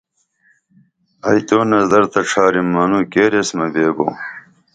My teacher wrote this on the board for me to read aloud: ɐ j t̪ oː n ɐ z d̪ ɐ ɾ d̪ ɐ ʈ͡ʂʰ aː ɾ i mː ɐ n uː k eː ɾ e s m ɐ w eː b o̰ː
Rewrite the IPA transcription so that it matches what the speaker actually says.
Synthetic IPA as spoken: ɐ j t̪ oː n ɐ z d̪ ɐ ɾ t̪ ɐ ʈ͡ʂʰ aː ɾ i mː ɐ n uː k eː ɾ e s m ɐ b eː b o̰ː